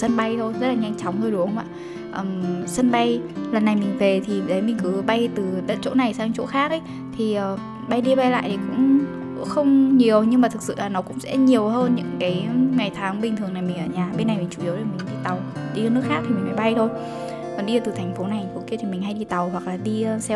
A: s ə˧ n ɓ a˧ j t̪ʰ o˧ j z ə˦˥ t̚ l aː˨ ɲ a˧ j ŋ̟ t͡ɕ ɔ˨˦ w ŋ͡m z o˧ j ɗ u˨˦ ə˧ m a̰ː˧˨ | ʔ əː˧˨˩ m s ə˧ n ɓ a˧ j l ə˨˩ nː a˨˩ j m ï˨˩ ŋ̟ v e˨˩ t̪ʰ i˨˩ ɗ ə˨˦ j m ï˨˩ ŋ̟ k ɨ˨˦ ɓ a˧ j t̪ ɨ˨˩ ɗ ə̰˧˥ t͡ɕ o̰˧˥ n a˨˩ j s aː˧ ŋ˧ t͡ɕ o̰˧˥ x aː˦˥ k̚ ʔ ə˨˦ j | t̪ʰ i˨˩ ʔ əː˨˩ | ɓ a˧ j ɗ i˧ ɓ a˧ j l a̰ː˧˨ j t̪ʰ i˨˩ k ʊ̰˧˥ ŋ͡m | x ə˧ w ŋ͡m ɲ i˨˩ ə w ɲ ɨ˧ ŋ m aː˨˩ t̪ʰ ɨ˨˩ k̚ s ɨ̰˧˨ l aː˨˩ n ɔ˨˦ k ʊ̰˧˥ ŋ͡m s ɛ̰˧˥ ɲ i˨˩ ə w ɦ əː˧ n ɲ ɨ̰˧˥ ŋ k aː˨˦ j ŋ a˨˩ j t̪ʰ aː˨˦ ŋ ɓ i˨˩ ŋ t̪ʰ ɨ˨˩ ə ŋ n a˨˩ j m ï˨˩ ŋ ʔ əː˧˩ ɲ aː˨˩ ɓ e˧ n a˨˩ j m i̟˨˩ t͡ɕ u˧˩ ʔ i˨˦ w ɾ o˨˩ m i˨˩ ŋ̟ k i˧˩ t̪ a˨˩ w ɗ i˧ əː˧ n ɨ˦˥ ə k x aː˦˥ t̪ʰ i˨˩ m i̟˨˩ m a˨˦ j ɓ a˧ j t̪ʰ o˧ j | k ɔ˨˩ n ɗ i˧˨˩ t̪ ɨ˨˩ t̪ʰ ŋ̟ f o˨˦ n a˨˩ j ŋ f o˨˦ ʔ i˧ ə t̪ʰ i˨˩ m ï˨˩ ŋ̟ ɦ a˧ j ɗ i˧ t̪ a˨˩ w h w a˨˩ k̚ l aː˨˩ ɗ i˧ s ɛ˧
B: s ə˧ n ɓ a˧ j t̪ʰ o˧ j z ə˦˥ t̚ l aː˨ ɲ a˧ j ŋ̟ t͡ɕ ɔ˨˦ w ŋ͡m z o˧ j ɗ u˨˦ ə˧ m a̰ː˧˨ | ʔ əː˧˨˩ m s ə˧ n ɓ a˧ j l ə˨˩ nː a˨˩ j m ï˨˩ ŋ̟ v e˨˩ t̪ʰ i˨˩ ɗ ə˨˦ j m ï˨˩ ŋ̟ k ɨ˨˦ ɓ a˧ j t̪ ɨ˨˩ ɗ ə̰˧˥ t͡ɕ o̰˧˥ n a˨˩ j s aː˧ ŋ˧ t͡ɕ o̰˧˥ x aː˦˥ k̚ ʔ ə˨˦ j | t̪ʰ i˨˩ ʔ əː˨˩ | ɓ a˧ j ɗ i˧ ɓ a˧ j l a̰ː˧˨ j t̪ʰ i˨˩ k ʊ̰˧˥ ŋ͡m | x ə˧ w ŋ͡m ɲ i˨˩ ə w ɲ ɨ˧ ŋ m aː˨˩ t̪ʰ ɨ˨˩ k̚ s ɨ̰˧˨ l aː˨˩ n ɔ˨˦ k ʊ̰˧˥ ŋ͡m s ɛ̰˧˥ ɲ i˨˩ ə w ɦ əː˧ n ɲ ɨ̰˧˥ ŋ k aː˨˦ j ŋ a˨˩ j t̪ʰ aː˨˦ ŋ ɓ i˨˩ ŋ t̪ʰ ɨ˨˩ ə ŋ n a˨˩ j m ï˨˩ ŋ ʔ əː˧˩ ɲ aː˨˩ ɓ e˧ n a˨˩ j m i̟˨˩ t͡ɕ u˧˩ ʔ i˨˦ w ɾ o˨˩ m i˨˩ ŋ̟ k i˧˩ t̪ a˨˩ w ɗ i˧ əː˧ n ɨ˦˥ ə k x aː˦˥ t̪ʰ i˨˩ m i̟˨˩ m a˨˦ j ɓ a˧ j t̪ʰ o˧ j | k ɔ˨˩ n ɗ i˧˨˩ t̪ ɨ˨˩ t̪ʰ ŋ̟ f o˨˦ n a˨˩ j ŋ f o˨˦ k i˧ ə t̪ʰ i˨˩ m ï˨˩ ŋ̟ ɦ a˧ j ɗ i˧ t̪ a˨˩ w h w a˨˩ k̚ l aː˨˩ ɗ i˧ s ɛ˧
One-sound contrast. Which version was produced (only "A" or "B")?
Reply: B